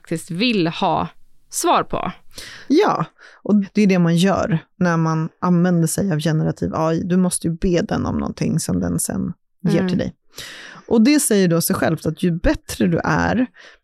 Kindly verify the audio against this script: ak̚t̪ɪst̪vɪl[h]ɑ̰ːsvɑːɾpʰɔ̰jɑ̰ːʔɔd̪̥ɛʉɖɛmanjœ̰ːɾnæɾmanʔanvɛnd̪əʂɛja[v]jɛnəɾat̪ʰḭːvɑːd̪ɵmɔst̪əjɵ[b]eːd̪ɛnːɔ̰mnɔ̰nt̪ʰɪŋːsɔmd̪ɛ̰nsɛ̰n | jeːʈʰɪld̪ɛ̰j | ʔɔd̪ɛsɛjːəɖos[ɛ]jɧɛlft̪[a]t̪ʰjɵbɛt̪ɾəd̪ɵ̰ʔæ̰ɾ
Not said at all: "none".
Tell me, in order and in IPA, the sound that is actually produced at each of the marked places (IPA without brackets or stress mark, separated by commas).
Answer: h, v, b, ɛ, a